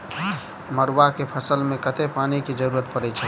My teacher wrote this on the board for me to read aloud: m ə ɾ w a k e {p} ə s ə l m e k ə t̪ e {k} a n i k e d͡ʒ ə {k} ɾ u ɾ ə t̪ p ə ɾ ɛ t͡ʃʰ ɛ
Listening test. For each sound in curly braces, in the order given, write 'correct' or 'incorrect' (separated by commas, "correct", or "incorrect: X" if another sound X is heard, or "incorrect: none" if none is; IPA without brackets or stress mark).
incorrect: pʰ, incorrect: p, incorrect: none